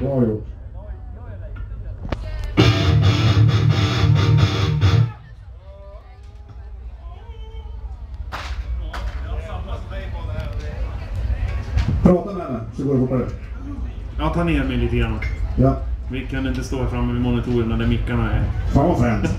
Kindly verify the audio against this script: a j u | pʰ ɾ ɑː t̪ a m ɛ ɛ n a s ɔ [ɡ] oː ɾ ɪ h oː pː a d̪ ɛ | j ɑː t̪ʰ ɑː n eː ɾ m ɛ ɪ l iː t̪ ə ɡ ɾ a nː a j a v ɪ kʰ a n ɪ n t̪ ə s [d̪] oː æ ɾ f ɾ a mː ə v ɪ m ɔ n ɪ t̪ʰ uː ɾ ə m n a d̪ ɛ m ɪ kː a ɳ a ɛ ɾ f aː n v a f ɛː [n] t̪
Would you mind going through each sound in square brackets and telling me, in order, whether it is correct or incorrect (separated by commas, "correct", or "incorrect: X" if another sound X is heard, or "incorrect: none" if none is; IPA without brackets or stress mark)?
correct, incorrect: t̪, correct